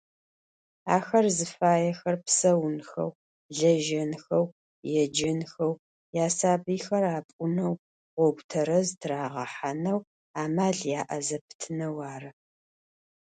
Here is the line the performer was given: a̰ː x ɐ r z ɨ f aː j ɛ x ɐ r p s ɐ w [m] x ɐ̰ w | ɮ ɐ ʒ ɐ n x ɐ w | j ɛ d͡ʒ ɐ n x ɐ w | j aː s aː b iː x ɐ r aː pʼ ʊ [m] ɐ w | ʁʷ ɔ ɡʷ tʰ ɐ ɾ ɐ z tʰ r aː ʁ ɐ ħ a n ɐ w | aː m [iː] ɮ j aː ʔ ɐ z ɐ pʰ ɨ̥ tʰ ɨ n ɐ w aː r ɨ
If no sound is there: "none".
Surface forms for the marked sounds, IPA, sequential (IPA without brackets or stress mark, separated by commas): n, n, aː